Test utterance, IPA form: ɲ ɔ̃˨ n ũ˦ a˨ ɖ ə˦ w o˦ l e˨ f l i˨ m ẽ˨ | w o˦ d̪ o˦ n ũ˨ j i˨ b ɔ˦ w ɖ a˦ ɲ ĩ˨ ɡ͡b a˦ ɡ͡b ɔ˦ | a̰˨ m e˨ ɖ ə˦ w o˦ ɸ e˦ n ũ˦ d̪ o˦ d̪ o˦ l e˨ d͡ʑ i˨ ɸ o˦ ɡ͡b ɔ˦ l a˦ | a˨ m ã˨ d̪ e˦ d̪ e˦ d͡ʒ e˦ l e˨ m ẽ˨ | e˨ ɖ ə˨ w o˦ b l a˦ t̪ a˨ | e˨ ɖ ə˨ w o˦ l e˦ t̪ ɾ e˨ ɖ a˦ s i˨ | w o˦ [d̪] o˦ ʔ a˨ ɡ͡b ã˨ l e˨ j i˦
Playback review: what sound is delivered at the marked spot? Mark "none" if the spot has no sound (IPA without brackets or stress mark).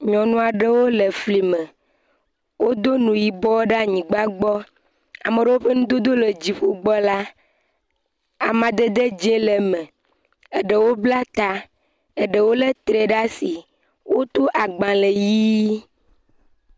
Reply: t̪